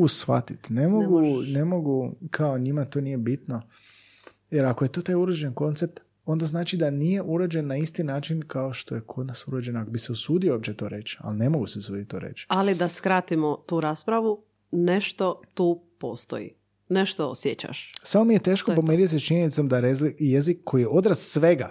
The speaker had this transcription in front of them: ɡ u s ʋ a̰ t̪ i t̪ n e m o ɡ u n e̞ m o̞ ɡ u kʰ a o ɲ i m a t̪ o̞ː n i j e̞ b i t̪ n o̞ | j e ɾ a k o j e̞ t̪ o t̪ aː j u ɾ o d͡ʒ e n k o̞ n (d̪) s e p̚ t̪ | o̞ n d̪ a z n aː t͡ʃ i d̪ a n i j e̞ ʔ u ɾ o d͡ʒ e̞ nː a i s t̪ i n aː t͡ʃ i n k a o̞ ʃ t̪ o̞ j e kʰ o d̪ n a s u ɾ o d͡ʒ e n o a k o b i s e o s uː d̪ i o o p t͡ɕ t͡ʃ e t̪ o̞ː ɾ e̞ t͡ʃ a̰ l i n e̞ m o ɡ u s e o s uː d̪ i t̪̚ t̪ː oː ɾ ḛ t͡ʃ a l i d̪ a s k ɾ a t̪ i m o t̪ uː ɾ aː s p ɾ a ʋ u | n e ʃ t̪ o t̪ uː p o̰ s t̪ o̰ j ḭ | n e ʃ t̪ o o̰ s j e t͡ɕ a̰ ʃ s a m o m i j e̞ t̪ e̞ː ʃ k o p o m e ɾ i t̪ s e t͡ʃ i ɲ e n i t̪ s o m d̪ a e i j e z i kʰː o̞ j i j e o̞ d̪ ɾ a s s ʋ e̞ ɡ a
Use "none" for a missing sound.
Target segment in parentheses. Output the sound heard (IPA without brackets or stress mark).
t̪